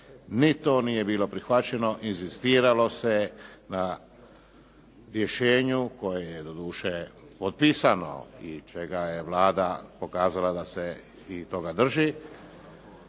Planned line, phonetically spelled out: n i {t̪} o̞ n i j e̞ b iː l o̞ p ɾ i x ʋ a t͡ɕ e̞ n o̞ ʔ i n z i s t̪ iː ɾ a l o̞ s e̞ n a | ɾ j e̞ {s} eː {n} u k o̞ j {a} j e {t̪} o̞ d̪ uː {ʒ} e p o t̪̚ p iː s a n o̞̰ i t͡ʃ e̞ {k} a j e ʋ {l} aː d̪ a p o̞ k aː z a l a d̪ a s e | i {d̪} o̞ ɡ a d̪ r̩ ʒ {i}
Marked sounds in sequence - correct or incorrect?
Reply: correct, incorrect, incorrect, incorrect, incorrect, incorrect, incorrect, correct, incorrect, correct

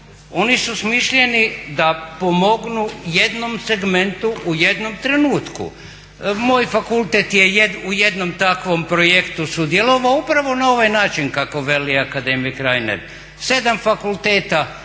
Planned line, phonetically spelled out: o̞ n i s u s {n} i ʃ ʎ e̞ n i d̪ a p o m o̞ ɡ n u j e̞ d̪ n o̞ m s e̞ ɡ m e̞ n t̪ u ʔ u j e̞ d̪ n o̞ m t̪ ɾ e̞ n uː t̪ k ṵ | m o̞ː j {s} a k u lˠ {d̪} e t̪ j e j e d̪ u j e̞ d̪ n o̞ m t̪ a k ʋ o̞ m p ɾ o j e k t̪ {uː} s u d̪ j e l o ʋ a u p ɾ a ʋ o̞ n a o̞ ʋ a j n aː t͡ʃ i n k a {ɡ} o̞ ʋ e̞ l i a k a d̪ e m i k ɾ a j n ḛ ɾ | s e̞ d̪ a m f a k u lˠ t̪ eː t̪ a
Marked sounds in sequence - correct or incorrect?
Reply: incorrect, incorrect, incorrect, incorrect, incorrect

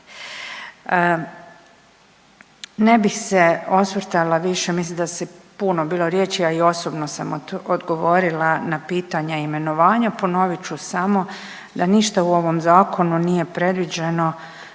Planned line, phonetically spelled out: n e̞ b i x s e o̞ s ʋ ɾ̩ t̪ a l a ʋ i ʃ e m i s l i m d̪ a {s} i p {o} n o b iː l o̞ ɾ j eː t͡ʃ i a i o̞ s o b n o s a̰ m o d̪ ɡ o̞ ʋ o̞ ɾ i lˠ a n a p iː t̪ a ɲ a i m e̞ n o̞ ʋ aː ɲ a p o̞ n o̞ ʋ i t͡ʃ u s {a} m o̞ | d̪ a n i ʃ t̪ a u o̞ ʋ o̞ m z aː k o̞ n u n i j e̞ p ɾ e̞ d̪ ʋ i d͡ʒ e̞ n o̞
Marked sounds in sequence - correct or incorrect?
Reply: correct, incorrect, correct

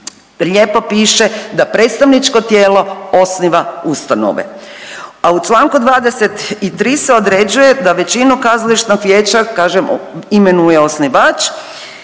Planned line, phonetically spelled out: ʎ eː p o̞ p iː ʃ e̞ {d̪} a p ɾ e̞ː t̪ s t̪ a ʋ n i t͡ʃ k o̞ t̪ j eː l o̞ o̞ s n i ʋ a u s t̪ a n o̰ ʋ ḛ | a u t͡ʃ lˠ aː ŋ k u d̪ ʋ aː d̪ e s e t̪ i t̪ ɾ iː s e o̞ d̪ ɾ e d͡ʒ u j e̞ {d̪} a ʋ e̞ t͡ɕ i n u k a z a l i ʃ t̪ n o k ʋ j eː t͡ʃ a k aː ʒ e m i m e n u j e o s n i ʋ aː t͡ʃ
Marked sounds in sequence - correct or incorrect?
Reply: correct, correct

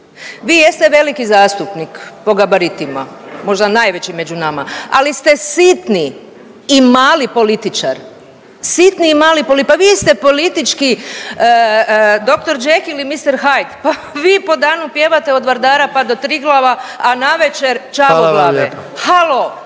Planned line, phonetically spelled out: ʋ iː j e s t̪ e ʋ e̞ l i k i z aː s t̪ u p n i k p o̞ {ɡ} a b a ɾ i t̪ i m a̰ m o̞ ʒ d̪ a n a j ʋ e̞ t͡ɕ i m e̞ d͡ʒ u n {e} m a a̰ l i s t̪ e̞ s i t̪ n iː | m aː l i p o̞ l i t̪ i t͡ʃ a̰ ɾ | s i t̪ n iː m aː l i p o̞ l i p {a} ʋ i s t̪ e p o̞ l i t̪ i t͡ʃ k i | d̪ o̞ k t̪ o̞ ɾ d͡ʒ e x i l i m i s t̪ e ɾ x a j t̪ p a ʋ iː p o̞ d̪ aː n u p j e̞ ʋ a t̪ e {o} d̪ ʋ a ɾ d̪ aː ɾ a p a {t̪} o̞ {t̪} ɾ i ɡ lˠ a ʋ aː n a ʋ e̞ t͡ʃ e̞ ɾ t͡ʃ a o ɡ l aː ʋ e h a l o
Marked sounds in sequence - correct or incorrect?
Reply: correct, incorrect, correct, correct, incorrect, correct

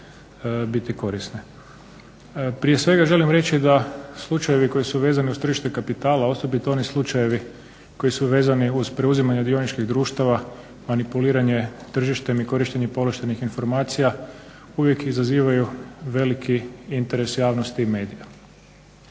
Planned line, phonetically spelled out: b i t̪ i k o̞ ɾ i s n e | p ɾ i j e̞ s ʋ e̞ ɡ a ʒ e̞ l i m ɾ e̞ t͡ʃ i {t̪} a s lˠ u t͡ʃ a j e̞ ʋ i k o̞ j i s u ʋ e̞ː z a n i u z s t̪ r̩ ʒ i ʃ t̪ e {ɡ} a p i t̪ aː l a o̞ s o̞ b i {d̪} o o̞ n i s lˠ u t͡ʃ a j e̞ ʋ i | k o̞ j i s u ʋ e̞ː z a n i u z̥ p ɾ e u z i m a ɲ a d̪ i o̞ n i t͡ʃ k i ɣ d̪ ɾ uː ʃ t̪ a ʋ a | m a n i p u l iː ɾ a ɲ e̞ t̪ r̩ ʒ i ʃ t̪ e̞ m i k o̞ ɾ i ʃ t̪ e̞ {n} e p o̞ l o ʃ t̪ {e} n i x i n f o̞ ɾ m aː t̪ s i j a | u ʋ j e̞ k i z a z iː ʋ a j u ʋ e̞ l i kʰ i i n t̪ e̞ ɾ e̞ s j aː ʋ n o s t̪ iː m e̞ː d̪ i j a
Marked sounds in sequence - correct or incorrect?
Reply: incorrect, incorrect, incorrect, incorrect, correct

